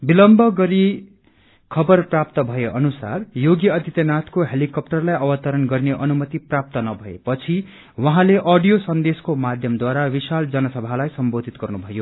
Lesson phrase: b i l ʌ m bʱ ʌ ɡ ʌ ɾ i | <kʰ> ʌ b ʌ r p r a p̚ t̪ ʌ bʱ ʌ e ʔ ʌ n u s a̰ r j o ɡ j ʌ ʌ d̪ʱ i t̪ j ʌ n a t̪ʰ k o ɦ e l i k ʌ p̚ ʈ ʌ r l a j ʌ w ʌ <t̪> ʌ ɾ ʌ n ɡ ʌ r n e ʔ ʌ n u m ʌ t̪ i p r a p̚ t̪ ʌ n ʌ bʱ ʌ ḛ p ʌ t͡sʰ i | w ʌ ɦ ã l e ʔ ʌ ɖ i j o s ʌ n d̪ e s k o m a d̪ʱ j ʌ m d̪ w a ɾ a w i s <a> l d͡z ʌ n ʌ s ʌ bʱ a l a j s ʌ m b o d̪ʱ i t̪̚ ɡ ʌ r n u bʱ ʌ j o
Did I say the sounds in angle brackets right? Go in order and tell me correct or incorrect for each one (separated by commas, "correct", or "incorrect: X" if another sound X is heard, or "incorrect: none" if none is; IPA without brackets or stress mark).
correct, correct, correct